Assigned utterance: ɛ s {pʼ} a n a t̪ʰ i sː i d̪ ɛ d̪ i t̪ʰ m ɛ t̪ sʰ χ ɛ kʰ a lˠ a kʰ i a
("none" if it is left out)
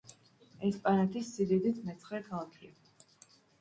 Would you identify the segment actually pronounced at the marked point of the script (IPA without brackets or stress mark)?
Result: pʼ